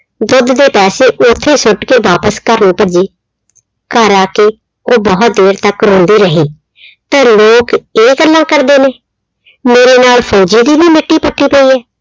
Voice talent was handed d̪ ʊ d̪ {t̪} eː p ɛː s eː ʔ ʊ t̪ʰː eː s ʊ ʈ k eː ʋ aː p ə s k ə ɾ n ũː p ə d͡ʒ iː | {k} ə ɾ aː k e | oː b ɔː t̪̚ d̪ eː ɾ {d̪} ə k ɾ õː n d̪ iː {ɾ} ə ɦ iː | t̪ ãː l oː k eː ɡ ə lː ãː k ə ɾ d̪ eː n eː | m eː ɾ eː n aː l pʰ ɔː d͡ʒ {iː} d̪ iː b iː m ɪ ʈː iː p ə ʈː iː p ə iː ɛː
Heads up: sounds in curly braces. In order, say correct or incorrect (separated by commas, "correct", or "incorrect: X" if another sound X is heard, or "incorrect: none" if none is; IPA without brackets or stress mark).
incorrect: d̪, correct, incorrect: t̪, correct, correct